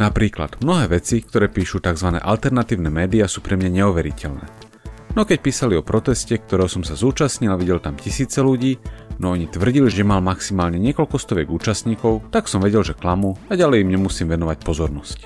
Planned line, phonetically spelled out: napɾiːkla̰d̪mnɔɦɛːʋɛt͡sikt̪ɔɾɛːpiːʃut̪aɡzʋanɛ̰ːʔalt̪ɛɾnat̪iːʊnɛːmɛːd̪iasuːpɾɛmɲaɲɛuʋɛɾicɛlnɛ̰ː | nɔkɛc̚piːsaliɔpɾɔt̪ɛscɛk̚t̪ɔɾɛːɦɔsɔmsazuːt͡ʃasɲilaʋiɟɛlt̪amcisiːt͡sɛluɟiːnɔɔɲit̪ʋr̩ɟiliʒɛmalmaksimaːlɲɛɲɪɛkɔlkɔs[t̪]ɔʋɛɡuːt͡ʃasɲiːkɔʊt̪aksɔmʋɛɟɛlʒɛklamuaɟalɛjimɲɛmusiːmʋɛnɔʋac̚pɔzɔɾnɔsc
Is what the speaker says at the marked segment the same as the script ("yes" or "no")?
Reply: yes